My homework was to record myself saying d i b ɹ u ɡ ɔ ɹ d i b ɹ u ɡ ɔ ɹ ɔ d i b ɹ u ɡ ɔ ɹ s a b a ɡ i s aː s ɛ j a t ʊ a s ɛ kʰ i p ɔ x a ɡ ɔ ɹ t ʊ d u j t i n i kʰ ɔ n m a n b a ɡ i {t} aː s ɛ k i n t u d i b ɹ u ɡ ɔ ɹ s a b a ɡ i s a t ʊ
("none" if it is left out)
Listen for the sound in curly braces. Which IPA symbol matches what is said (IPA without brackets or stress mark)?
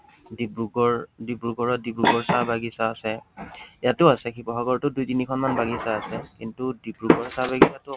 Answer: s